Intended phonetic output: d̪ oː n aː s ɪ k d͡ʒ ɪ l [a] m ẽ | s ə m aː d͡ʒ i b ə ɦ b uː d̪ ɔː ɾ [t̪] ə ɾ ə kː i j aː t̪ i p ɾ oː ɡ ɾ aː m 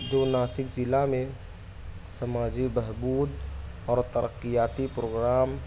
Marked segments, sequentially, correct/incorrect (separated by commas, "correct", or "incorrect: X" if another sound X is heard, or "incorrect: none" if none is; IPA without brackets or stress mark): correct, correct